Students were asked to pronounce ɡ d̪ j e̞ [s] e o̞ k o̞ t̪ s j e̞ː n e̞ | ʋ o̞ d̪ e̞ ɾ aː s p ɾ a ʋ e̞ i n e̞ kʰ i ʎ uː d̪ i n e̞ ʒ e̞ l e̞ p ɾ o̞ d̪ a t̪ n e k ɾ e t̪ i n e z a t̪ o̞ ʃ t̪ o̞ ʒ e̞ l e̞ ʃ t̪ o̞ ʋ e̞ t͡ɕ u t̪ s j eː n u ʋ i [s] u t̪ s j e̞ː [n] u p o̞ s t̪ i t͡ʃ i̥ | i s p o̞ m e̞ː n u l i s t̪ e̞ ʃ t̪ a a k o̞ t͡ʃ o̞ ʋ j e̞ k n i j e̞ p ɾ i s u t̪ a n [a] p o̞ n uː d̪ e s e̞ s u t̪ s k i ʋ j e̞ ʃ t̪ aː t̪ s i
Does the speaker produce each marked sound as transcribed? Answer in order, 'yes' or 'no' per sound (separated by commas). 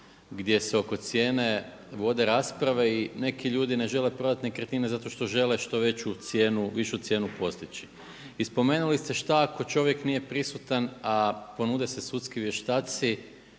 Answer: yes, no, yes, yes